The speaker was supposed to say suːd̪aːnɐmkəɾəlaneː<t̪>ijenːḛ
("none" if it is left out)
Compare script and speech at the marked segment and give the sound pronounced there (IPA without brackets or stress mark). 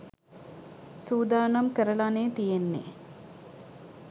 t̪